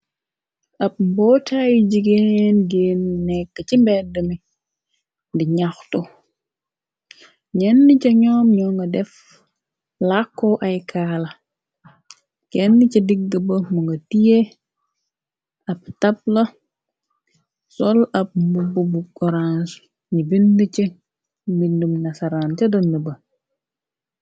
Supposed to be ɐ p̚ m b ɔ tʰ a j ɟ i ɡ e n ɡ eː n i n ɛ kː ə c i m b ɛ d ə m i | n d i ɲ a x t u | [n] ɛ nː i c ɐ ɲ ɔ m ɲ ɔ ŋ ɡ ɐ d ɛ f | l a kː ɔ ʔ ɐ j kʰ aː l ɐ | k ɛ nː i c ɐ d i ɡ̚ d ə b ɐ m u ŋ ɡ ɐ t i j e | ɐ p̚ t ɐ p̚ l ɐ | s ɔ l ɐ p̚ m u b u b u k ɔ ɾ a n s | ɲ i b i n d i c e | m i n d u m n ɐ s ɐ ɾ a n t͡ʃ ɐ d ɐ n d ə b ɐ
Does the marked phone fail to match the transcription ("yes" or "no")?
yes